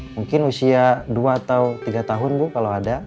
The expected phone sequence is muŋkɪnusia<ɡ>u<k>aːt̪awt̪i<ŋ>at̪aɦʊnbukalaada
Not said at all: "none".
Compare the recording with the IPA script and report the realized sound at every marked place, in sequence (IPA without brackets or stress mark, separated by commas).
d, none, ɡ